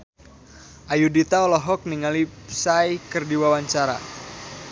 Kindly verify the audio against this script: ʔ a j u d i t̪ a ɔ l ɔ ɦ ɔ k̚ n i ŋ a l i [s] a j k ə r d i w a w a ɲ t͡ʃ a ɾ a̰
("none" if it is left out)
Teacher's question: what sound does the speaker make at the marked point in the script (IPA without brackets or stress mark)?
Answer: s